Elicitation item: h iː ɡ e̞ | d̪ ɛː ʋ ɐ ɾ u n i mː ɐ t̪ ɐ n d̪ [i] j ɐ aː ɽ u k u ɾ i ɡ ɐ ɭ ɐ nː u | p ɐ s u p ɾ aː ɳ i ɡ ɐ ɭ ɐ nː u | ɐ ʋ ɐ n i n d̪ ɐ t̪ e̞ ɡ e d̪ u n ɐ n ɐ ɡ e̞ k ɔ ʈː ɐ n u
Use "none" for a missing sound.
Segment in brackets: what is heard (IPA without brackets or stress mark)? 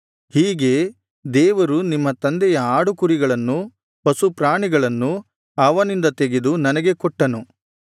ɛ